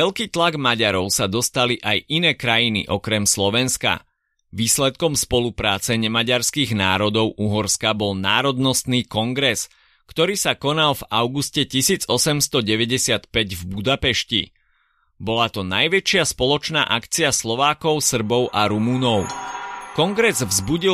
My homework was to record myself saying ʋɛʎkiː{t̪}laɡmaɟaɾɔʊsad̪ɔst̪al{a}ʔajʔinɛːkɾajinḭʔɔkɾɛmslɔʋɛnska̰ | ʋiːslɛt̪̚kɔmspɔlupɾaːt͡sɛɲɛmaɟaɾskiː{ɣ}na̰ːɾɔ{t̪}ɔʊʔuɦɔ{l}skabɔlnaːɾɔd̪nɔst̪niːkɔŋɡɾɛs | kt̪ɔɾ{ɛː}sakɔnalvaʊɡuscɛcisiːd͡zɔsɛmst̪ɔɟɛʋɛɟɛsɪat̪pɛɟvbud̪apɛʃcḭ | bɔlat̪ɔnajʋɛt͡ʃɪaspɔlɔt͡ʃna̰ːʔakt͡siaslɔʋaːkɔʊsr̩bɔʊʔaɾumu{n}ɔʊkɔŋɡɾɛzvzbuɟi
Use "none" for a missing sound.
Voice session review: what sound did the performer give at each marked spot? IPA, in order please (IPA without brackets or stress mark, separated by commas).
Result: t̪, i, ɣ, d̪, ɾ, iː, n